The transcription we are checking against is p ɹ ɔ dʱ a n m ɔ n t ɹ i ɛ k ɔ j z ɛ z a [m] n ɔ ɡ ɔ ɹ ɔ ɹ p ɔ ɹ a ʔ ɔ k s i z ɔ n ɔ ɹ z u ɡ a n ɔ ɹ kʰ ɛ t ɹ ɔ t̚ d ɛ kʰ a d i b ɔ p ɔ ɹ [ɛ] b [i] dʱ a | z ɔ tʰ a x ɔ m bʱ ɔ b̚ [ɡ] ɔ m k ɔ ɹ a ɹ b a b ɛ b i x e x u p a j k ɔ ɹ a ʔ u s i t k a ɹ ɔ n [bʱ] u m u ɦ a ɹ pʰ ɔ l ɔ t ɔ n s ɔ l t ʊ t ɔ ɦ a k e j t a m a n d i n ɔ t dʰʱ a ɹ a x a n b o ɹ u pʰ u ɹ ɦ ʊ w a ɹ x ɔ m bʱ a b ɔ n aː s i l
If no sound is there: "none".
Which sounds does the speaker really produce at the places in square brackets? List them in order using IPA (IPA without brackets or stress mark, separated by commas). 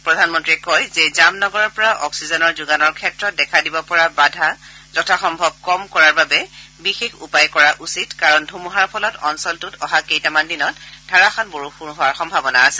m, a, a, k, dʱ